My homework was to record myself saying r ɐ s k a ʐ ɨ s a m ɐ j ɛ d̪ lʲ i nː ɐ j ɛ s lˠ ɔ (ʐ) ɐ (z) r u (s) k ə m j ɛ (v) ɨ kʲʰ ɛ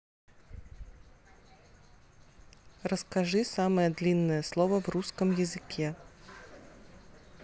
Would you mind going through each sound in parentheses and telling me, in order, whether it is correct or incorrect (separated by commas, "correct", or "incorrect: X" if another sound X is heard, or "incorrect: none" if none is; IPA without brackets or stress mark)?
incorrect: v, incorrect: v, correct, incorrect: z